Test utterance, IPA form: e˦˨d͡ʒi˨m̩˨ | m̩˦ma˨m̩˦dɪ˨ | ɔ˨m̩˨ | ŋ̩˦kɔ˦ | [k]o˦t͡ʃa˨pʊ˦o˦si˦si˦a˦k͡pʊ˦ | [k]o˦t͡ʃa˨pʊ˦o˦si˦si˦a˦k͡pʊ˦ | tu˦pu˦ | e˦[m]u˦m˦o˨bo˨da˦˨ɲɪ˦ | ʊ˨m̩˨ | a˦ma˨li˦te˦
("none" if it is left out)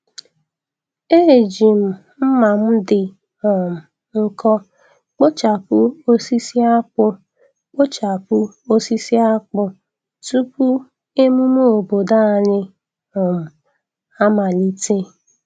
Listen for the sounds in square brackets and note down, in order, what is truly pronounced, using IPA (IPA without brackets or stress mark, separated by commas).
k͡p, k͡p, m